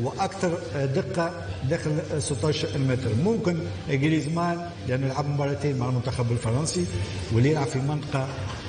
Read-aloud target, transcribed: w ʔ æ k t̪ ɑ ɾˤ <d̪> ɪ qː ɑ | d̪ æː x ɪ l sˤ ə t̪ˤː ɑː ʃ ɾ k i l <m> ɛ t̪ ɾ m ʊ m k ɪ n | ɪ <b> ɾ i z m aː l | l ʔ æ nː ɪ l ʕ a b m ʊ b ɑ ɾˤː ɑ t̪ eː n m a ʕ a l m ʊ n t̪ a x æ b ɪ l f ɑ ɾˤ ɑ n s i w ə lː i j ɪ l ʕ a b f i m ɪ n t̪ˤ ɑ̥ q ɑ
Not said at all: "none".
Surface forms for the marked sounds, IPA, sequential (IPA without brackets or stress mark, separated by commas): d̪, m, ɡ